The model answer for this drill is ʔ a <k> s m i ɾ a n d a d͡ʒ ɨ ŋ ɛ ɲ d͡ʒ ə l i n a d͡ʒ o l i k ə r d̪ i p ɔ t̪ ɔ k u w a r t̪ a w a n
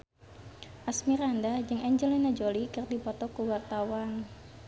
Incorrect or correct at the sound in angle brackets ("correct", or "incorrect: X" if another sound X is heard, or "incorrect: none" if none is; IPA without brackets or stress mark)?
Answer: incorrect: none